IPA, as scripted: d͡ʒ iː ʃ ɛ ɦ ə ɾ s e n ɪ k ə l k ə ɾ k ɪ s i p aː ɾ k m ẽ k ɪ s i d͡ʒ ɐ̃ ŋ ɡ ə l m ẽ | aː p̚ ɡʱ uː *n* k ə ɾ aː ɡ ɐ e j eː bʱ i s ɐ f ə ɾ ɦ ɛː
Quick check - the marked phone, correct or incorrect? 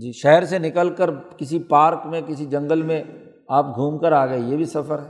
incorrect